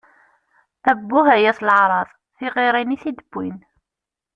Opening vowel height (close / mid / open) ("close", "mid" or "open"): open